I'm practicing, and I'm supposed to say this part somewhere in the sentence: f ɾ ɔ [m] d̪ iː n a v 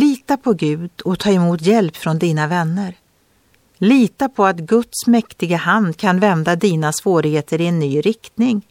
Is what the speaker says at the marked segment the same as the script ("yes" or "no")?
no